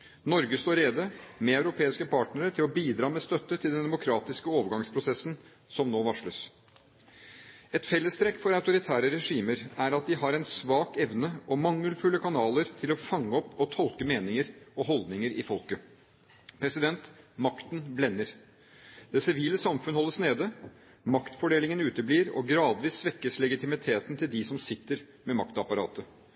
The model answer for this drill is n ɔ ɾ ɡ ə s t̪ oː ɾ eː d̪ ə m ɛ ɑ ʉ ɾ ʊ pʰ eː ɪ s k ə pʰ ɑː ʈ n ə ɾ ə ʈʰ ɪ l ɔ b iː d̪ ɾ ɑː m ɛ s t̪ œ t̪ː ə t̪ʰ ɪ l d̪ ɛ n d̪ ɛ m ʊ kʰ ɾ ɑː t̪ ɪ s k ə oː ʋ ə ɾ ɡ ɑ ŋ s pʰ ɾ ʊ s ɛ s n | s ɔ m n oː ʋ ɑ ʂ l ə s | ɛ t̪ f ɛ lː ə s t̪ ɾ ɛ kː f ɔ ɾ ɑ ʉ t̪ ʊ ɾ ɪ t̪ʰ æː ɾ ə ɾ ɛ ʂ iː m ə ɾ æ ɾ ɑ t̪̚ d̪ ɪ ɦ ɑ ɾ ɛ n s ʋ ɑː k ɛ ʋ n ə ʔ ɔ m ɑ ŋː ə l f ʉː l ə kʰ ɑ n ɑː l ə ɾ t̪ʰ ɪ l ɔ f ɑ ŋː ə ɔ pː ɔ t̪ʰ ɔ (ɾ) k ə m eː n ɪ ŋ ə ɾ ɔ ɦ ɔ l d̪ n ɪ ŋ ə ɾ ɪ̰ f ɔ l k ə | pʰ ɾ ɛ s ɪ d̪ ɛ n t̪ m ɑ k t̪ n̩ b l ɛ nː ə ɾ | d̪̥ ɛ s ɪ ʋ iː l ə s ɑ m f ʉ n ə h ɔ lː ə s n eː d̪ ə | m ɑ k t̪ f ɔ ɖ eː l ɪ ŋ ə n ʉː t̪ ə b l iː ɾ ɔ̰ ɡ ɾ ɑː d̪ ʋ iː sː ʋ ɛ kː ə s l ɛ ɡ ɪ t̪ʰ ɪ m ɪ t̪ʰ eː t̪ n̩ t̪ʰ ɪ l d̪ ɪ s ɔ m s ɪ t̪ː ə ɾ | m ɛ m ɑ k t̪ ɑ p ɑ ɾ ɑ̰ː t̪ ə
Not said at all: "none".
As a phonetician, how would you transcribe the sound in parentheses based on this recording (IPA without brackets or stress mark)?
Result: l